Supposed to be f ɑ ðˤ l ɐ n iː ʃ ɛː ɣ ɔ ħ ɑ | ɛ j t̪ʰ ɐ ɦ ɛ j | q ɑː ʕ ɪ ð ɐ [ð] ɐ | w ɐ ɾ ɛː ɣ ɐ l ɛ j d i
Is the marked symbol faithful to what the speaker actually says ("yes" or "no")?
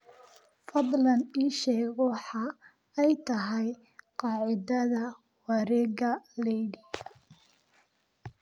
yes